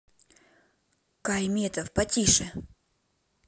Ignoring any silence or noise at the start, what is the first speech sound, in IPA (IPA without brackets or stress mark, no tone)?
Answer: k